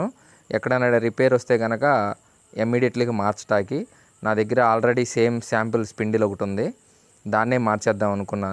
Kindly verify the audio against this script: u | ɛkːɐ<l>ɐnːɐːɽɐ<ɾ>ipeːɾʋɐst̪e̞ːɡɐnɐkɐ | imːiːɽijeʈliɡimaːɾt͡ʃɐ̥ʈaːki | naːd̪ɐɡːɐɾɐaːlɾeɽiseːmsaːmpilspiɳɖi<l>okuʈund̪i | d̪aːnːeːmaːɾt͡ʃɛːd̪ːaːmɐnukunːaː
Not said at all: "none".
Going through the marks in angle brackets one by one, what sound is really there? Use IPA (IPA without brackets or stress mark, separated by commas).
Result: ɽ, ɾ, l